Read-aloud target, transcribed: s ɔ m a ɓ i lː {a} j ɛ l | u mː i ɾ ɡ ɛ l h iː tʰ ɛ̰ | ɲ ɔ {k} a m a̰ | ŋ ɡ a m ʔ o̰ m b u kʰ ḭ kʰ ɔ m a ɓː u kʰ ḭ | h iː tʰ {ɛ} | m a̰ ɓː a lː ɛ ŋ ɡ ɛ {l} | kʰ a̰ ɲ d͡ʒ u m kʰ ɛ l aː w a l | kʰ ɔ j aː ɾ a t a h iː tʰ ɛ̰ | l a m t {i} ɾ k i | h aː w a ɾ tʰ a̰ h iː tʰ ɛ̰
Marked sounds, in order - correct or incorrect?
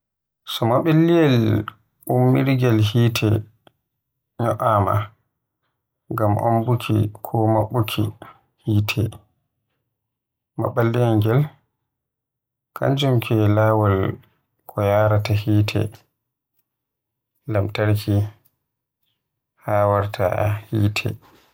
incorrect, incorrect, correct, correct, incorrect

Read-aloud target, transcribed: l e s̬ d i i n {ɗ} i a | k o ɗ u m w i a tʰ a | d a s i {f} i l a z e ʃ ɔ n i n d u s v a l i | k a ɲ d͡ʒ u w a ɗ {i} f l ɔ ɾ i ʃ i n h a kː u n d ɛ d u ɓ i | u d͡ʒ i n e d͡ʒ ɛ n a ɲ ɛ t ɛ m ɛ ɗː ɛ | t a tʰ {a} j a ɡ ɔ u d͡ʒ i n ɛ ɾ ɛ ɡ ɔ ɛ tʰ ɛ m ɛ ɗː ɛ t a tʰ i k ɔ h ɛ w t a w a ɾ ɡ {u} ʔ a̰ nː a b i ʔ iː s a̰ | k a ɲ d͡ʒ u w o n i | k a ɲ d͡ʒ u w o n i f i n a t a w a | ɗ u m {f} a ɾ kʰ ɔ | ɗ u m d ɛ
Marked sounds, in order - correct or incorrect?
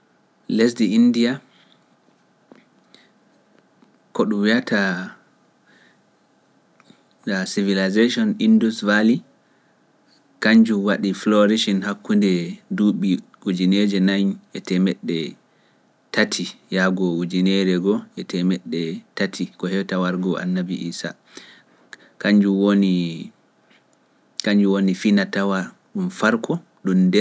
incorrect, incorrect, correct, incorrect, incorrect, correct

